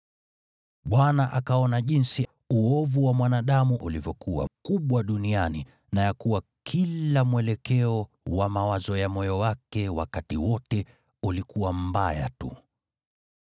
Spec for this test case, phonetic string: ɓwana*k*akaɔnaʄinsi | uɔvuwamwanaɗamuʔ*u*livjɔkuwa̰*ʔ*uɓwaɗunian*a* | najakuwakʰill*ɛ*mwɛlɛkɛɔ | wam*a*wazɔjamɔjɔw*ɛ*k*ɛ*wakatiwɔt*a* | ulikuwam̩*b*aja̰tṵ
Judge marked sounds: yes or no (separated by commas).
no, yes, no, no, no, yes, no, yes, no, yes